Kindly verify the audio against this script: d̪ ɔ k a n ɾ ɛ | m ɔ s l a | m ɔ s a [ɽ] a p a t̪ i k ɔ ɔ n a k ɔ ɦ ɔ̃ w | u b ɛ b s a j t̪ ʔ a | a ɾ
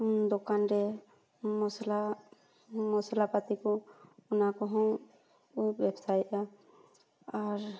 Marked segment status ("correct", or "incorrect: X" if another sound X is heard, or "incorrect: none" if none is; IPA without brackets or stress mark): incorrect: l